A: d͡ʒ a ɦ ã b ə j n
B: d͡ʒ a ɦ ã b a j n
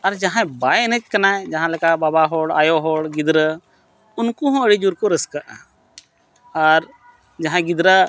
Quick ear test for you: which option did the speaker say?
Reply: B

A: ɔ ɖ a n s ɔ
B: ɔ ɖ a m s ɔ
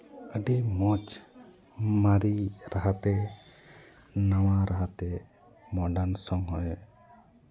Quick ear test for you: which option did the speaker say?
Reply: A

